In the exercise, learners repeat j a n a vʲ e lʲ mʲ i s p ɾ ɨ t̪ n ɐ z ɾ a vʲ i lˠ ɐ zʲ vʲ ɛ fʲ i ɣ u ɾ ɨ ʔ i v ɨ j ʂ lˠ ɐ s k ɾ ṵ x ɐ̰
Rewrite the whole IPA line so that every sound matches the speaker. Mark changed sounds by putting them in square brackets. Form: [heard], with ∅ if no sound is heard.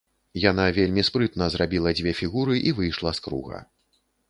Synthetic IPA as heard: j a n a vʲ e lʲ mʲ i s p ɾ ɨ t̪ n ɐ z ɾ a [bʲ] i lˠ ɐ [d͡zʲ] vʲ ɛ fʲ i ɣ u ɾ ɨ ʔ i v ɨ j ʂ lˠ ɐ s k ɾ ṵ [ɣ] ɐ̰